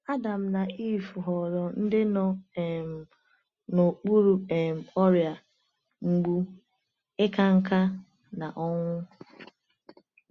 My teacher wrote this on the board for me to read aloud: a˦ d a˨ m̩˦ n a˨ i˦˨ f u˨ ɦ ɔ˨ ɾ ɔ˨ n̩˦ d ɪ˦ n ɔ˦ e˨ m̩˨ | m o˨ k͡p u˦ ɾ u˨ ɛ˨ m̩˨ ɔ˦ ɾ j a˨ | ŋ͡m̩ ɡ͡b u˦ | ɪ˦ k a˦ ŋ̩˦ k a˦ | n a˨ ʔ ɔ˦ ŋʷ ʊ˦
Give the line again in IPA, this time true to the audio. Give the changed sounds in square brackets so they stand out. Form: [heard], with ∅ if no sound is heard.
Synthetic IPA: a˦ d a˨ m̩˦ n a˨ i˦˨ f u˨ ɦ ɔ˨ ɾ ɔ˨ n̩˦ d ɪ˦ n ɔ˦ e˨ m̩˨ | [n] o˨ k͡p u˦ ɾ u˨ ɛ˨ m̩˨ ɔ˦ ɾ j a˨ | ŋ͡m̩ ɡ͡b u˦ | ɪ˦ k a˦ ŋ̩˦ k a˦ | n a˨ ʔ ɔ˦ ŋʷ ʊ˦